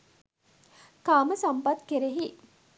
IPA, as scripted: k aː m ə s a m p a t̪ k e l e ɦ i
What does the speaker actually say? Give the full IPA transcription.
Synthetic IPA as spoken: k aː m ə s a m p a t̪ k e ɾ e ɦ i